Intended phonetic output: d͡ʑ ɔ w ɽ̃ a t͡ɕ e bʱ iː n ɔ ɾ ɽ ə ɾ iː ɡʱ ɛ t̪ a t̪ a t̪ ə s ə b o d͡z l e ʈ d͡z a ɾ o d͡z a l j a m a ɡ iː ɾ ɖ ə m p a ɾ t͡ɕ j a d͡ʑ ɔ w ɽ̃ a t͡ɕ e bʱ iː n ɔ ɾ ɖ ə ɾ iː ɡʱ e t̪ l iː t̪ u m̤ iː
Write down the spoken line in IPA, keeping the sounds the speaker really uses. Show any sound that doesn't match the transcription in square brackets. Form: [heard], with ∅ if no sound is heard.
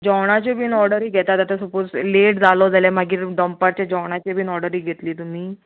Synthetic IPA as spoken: d͡ʑ ɔ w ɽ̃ a t͡ɕ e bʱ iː n ɔ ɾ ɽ ə ɾ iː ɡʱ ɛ t̪ a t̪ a t̪ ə s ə [p] o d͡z l e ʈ d͡z a [l] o d͡z a l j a m a ɡ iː ɾ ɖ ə m p a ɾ t͡ɕ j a d͡ʑ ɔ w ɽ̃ a t͡ɕ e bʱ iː n ɔ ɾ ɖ ə ɾ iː ɡʱ e t̪ l iː t̪ u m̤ iː